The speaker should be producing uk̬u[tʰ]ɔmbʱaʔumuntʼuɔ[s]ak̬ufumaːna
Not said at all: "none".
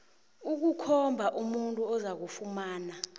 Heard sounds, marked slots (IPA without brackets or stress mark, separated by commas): kʰ, z